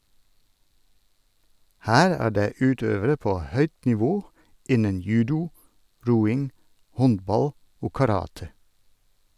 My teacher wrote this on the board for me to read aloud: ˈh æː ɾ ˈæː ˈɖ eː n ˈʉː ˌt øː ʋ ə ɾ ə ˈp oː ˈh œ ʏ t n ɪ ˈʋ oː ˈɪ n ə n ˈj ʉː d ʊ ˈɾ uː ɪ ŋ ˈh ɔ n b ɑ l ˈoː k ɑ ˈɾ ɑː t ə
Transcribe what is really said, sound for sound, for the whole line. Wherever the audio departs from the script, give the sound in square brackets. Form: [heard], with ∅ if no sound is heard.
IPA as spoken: ˈh æː ɾ ˈæː ˈɖ eː [∅] ˈʉː ˌt øː ʋ ə ɾ ə ˈp oː ˈh œ ʏ t n ɪ ˈʋ oː ˈɪ n ə n ˈj ʉː d ʊ ˈɾ uː ɪ ŋ ˈh ɔ n b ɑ l ˈoː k ɑ ˈɾ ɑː t ə

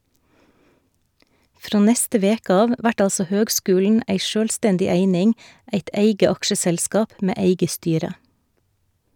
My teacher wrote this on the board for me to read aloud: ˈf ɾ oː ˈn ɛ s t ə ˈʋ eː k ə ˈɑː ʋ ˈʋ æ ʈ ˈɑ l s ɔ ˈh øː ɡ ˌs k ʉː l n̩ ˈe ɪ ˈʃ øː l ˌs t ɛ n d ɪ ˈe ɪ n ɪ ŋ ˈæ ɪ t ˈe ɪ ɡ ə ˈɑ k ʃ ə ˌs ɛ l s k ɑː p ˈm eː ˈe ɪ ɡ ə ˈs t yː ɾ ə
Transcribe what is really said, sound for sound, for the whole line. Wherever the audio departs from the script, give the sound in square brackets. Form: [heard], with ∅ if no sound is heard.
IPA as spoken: ˈf ɾ oː ˈn ɛ s t ə ˈʋ eː k ə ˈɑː ʋ ˈʋ æ ʈ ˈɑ l s ɔ ˈh øː ɡ ˌs k ʉː l n̩ [ˈæ] ɪ ˈʃ øː l ˌs t ɛ n d ɪ ˈe ɪ n ɪ ŋ ˈæ ɪ t ˈe ɪ ɡ ə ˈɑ k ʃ ə ˌs ɛ l s k ɑː p ˈm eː ˈe ɪ ɡ ə ˈs t yː ɾ ə

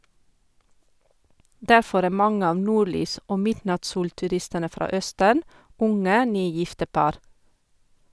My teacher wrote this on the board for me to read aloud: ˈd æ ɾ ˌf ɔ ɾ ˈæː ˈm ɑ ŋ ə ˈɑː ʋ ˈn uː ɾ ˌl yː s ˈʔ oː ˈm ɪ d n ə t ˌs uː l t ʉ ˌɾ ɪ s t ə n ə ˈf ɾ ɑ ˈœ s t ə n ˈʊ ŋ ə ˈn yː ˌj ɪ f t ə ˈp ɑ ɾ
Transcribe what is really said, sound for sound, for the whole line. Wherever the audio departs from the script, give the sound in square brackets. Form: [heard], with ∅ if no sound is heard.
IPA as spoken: ˈd æ ɾ ˌf ɔ ɾ ˈæː ˈm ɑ ŋ ə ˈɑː ʋ ˈn uː ɾ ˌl yː s ˈʔ oː ˈm ɪ d n [ɑ] t ˌs uː l t ʉ ˌɾ ɪ s t ə n ə ˈf ɾ ɑ ˈœ s t ə n ˈʊ ŋ ə ˈn yː ˌj ɪ f t ə ˈp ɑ ɾ

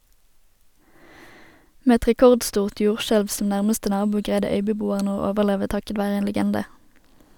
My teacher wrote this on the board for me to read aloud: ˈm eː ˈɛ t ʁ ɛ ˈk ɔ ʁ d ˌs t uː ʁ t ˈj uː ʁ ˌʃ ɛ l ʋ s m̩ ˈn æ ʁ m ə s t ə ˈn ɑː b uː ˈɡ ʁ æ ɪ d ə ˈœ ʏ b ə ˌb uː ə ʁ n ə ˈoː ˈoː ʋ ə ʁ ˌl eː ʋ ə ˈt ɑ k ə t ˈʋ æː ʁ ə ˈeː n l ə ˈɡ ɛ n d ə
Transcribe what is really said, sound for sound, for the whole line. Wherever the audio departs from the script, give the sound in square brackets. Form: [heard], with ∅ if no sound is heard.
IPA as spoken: ˈm eː ˈɛ t ʁ ɛ ˈk ɔ ʁ d ˌs t uː ʁ t ˈj uː ʁ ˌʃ ɛ l ʋ s m̩ ˈn æ ʁ m ə s t ə ˈn ɑː b uː ˈɡ ʁ æ ɪ d ə ˈœ ʏ b ə ˌb uː ə ʁ n ə ˈoː ˈoː ʋ ə ʁ ˌl eː ʋ ə ˈt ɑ k ə t ˈʋ æː ʁ ə ˈeː n l ə ˈɡ ɛ n d ə

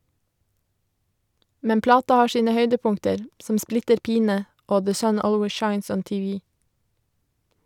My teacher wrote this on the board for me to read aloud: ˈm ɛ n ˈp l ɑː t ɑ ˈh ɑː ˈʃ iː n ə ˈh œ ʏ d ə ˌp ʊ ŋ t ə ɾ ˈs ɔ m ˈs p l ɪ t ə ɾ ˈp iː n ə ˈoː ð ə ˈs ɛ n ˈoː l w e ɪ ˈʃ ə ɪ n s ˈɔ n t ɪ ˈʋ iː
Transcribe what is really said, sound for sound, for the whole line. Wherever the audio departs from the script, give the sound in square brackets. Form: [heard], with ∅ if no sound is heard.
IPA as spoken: ˈm ɛ n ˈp l ɑː t ɑ ˈh ɑː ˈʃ iː n ə ˈh œ ʏ d ə ˌp ʊ ŋ t ə ɾ ˈs ɔ m ˈs p l ɪ t ə ɾ ˈp iː n ə ˈoː ð ə ˈs [œ] n ˈoː l w e ɪ ˈʃ [ɑ] ɪ n s ˈɔ n t ɪ ˈʋ iː

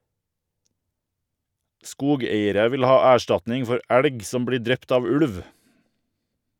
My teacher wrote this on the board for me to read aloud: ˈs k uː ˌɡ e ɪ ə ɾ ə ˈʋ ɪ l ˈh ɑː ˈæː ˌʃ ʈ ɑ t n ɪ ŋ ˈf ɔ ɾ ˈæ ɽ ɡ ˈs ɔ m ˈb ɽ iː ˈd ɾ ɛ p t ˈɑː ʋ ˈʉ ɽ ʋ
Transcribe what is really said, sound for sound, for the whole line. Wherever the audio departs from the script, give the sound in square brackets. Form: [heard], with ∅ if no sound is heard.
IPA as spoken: ˈs k uː ˌɡ e ɪ ə ɾ ə ˈʋ ɪ l ˈh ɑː ˈæː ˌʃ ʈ ɑ t n ɪ ŋ ˈf ɔ ɾ ˈæ ɽ ɡ ˈs ɔ m ˈb ɽ iː ˈd ɾ ɛ p t ˈɑː ʋ ˈʉ ɽ ʋ

